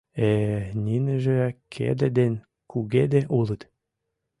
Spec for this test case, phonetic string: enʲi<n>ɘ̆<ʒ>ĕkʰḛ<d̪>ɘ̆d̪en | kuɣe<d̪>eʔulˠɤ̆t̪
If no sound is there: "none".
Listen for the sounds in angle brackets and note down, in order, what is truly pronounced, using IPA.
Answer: n, ʒ, d̪, d̪

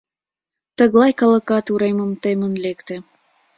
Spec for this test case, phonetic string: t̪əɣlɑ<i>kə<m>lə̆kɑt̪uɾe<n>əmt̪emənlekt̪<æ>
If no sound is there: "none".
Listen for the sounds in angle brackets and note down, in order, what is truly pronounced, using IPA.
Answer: j, none, m, e

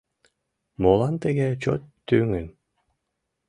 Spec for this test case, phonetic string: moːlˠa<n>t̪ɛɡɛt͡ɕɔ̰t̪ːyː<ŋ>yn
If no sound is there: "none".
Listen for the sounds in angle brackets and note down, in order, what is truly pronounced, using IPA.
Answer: n, ŋ

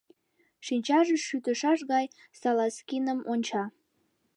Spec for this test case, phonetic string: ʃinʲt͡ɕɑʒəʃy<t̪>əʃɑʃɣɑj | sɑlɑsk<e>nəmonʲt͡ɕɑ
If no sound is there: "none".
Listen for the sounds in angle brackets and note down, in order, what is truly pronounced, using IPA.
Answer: t̪, i

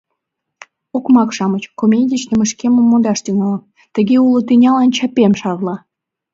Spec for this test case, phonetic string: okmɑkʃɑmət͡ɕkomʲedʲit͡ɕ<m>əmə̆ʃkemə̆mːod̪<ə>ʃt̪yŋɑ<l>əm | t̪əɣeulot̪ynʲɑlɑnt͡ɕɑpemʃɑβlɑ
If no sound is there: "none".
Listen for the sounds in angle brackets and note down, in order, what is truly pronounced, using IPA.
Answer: n, ɑ, l

